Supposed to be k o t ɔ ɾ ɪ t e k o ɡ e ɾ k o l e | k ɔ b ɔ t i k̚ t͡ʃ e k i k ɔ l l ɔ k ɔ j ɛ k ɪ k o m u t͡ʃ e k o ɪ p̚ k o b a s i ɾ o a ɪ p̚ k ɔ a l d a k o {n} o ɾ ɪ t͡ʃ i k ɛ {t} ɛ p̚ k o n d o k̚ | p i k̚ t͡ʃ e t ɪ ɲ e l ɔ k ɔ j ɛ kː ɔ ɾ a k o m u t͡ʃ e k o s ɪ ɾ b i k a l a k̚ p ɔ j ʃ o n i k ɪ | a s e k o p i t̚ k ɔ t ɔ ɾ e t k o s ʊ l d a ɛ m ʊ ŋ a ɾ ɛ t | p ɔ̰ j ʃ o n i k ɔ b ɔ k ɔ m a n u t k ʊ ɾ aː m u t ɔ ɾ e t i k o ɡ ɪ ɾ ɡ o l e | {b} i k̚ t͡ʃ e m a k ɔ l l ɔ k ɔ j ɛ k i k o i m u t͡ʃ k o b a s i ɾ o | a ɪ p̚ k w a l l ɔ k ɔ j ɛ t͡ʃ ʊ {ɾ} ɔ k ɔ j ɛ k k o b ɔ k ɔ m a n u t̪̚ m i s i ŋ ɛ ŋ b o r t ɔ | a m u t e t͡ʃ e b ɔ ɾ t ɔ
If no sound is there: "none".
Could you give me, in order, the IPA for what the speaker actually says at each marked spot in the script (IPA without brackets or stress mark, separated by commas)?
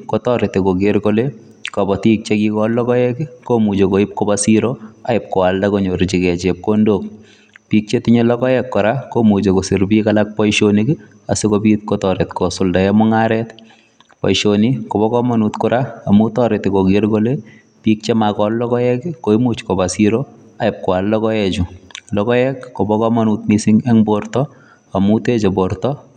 ɲ, t͡ʃ, p, l